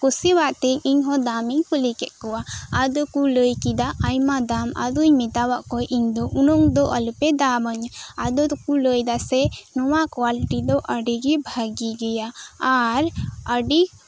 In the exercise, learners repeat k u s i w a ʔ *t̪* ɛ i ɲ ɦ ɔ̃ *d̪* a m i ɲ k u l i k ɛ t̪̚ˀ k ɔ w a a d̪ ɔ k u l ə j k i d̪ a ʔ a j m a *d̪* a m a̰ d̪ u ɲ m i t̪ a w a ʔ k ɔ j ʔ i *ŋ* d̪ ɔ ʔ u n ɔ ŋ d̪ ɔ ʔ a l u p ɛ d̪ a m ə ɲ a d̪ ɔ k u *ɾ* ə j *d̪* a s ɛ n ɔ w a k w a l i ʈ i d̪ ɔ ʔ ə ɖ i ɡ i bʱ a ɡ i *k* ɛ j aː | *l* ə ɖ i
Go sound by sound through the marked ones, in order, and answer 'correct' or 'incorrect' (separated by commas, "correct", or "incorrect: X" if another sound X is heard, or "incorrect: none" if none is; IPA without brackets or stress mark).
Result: correct, correct, correct, incorrect: ɲ, incorrect: l, correct, incorrect: ɡ, incorrect: ɾ